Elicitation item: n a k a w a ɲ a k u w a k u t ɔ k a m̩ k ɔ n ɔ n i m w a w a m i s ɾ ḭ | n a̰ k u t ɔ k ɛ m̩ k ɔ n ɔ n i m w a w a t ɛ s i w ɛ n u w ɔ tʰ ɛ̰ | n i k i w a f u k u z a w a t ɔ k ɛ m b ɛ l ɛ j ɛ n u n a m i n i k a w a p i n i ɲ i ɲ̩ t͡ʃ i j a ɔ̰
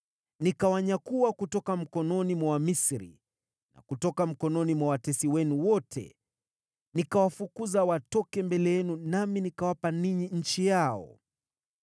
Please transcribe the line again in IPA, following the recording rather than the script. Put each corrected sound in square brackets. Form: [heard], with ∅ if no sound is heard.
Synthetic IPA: n [i] k a w a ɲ a k u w a k u t ɔ k a m̩ k ɔ n ɔ n i m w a w a m i s ɾ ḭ | n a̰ k u t ɔ k [a] m̩ k ɔ n ɔ n i m w a w a t ɛ s i w ɛ n u w ɔ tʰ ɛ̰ | n i k [a] w a f u k u z a w a t ɔ k ɛ m b ɛ l ɛ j ɛ n u n a m i n i k a w a p [a] n i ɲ i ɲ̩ t͡ʃ i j a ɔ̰